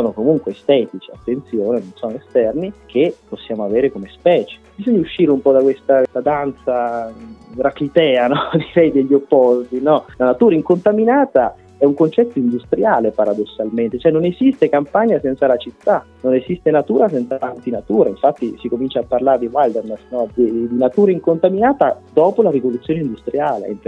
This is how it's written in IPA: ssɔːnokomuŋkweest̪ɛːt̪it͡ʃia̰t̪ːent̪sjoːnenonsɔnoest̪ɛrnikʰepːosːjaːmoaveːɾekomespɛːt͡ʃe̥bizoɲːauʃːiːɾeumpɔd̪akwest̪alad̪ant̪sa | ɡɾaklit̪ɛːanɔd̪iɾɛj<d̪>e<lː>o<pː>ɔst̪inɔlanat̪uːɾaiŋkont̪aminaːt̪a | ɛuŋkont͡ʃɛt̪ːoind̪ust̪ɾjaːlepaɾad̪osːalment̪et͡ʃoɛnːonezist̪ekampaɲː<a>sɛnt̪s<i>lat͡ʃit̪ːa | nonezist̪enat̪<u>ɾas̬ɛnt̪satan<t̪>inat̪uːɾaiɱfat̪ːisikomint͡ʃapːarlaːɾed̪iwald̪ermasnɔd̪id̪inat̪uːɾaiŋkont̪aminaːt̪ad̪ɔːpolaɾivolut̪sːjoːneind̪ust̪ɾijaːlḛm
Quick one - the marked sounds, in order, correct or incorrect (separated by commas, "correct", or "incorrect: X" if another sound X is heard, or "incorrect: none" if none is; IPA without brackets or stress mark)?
correct, incorrect: ʎː, correct, correct, incorrect: a, incorrect: uː, correct